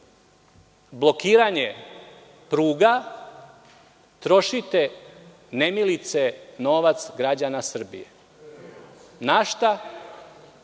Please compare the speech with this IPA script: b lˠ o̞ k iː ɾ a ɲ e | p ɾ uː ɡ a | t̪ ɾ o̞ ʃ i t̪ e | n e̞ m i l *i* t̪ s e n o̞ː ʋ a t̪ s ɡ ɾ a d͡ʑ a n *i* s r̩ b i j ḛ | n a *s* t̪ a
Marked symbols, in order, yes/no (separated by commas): yes, no, no